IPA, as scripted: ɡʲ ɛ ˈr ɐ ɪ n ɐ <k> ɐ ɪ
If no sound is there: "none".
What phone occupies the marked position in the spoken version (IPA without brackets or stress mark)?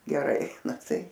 t